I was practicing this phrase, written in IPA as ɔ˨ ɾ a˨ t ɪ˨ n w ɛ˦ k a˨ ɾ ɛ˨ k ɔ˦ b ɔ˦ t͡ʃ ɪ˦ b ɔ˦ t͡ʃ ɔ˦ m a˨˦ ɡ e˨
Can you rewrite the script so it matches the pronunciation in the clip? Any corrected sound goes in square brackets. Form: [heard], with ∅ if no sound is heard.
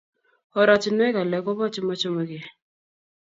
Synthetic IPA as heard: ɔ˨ ɾ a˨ [t͡ʃ] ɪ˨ n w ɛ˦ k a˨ [l] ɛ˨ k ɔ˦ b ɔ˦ t͡ʃ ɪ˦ [m] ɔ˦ t͡ʃ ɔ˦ m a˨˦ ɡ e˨